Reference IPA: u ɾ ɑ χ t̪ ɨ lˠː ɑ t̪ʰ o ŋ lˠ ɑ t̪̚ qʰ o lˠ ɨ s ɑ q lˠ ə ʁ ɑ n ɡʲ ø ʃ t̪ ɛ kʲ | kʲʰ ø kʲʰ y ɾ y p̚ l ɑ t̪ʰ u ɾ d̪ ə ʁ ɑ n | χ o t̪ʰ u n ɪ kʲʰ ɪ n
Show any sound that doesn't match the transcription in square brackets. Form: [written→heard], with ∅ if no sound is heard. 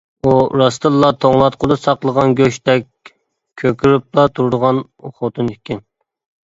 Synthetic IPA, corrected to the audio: u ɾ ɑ [χ→s] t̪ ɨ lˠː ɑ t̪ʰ o ŋ lˠ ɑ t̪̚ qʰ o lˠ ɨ s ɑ q lˠ ə ʁ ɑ n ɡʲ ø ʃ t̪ ɛ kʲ | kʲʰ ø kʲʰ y ɾ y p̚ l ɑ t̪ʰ u ɾ d̪ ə ʁ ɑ n | χ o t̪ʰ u n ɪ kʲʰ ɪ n